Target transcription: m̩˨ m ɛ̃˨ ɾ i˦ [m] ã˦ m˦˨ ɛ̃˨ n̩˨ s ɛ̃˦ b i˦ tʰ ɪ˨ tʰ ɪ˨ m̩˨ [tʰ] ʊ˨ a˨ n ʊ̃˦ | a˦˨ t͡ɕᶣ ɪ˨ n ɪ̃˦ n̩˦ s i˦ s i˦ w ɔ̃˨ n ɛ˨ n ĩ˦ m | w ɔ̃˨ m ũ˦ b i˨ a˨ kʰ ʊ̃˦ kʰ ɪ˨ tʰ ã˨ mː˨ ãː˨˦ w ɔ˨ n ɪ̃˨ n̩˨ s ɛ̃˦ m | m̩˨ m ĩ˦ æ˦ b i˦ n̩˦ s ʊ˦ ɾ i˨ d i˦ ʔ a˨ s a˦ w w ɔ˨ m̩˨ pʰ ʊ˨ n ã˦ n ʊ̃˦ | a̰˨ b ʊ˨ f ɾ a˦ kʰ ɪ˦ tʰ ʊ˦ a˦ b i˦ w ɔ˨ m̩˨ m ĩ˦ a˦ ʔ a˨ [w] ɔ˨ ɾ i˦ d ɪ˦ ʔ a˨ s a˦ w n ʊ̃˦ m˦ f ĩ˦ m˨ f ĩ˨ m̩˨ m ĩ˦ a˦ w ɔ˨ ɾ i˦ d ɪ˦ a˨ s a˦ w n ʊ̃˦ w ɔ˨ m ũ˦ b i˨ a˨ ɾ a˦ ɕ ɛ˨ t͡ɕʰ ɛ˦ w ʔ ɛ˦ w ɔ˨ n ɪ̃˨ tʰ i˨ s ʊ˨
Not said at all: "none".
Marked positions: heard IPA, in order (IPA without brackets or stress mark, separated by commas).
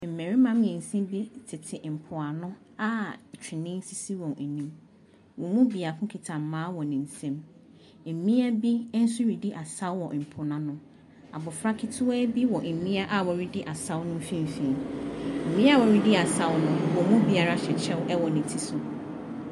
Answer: m, pʰ, w